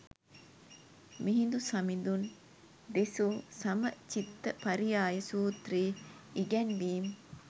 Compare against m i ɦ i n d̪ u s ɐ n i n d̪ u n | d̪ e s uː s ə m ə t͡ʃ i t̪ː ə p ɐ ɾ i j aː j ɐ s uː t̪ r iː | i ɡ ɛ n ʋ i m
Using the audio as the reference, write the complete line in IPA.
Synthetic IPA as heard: m i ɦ i n d̪ u s ɐ m i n d̪ u n | d̪ e s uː s ɐ m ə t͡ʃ i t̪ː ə p ɐ ɾ i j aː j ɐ s uː t̪ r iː | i ɡ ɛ n ʋ iː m